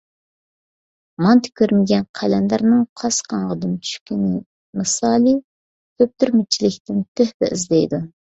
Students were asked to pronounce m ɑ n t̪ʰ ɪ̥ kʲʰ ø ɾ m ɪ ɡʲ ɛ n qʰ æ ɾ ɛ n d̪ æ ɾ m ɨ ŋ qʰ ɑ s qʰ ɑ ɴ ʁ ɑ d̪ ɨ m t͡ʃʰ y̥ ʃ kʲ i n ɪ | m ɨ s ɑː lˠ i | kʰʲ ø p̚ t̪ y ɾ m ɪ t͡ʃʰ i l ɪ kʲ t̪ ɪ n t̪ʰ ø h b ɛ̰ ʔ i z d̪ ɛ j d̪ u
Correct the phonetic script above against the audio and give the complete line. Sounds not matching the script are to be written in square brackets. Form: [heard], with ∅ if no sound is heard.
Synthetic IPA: m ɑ n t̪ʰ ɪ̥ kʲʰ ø ɾ m ɪ ɡʲ ɛ n qʰ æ [l] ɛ n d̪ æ ɾ [n] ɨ ŋ qʰ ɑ s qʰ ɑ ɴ ʁ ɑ d̪ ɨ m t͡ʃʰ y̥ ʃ kʲ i n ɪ | m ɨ s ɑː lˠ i | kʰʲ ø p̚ t̪ y ɾ m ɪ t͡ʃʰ i l ɪ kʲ t̪ ɪ n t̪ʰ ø h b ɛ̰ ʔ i z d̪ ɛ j d̪ u